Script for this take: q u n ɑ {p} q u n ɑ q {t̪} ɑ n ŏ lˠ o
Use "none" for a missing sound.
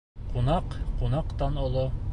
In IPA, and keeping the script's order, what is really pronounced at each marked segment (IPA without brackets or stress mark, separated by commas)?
q, t̪